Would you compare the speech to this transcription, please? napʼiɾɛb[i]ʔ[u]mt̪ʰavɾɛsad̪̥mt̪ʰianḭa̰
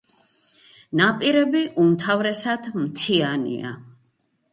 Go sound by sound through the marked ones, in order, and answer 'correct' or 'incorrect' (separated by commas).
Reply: correct, correct